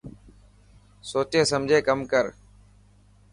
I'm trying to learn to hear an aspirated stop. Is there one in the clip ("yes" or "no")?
no